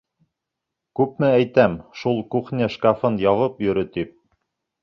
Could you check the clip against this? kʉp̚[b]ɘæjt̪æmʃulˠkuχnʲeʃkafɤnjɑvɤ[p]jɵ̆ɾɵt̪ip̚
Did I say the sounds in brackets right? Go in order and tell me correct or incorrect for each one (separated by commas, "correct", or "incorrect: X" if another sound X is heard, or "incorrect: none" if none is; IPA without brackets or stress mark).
incorrect: m, correct